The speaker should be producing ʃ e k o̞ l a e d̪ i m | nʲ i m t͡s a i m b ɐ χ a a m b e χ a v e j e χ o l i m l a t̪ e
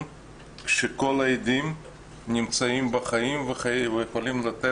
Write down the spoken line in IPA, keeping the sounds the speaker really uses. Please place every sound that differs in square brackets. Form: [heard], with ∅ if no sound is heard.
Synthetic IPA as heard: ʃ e k o̞ l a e d̪ i m | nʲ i m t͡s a i m b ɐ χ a [i] m [v] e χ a v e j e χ o l i m l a t̪ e